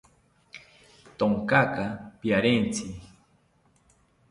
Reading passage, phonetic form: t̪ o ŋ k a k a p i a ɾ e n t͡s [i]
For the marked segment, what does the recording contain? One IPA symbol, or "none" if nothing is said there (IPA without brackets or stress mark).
i